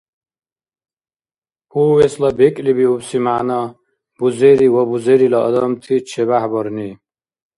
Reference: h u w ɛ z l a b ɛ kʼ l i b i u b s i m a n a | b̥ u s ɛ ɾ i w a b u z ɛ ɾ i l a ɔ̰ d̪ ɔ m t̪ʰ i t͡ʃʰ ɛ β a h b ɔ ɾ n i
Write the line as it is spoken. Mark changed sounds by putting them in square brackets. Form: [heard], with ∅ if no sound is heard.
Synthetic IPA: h u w ɛ [s] l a b ɛ kʼ l i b i u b s i m a n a | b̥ u [z] ɛ ɾ i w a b u z ɛ ɾ i l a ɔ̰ d̪ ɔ m t̪ʰ i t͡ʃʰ ɛ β a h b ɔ ɾ n i

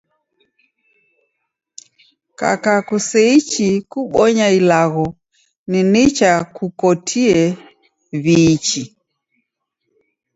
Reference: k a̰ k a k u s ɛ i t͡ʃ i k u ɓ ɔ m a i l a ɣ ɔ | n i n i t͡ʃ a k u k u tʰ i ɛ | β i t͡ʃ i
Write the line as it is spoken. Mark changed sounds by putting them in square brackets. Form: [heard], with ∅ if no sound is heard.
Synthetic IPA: k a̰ k a k u s ɛ i t͡ʃ i k u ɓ ɔ [ɲ] a i l a ɣ ɔ | n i n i t͡ʃ a k u k [ɔ] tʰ i ɛ | β i t͡ʃ i

